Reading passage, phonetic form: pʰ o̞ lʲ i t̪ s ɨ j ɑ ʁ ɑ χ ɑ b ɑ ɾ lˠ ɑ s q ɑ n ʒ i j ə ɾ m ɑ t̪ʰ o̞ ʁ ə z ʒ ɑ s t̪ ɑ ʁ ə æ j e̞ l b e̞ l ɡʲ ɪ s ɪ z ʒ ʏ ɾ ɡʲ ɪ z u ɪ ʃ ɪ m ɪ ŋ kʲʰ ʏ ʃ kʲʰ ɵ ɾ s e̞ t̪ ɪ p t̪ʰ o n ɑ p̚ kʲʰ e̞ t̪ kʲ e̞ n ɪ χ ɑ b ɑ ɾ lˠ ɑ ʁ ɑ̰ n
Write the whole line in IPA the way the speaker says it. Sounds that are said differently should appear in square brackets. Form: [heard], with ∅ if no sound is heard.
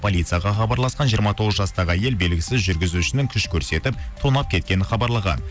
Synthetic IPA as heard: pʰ o̞ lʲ i t̪ s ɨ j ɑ ʁ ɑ χ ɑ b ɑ ɾ lˠ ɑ s q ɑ n ʒ i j ə ɾ m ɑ t̪ʰ o̞ ʁ ə z ʒ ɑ s t̪ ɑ ʁ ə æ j e̞ l b e̞ l ɡʲ ɪ s ɪ z ʒ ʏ ɾ ɡʲ ɪ z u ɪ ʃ ɪ [n] ɪ ŋ kʲʰ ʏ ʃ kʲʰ ɵ ɾ s e̞ t̪ ɪ p t̪ʰ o n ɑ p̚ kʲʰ e̞ t̪ kʲ e̞ n ɪ χ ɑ b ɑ ɾ lˠ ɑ ʁ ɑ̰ n